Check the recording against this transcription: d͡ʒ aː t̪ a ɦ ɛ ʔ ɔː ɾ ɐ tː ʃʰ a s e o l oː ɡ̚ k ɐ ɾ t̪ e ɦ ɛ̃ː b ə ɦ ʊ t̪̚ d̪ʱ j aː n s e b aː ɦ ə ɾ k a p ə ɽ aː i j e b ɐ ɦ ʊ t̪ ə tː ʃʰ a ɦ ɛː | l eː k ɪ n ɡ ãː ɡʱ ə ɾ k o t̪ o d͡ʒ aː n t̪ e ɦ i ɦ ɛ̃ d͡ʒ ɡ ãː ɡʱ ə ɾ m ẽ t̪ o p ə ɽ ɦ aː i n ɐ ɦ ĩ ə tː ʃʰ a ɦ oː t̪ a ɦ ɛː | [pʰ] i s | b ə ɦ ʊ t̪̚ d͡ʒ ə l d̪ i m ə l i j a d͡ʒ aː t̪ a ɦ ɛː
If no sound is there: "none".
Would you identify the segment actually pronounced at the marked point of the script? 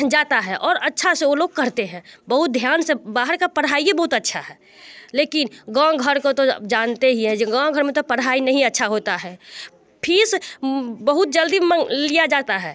pʰ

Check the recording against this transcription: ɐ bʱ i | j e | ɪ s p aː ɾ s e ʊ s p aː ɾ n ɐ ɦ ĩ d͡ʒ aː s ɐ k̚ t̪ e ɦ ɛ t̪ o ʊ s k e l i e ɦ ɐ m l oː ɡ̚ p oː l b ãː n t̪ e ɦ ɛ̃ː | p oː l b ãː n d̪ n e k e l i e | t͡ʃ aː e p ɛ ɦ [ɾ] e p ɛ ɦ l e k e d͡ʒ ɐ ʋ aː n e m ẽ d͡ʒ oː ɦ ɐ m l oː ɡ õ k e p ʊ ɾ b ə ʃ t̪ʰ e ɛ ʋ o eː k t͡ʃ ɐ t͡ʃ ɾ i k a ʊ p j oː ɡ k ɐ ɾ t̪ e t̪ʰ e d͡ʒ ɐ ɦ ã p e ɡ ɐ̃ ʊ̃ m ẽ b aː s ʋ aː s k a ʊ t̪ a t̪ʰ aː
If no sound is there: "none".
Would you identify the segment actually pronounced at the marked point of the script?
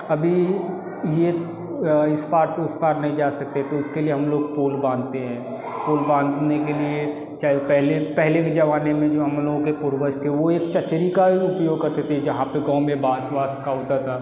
l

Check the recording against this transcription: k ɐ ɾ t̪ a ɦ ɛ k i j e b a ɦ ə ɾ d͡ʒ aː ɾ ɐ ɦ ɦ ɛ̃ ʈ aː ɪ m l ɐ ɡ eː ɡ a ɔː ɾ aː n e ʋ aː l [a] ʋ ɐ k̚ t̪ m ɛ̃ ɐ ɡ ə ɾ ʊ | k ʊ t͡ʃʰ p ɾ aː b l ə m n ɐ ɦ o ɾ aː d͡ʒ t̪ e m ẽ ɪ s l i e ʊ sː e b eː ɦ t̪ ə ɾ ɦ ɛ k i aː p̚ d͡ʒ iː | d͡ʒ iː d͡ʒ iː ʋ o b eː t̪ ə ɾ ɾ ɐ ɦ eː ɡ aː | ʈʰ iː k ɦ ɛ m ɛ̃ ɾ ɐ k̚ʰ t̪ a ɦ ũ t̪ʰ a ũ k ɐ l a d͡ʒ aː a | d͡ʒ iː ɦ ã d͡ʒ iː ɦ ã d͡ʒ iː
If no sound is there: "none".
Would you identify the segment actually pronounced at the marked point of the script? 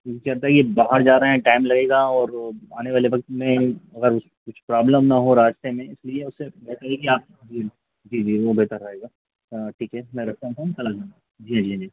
e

